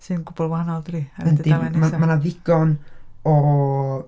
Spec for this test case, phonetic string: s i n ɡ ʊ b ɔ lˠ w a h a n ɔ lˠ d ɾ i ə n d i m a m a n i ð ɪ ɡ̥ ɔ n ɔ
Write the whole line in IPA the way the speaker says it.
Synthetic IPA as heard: s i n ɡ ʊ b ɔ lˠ w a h a n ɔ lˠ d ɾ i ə n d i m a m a n a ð ɪ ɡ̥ ɔ n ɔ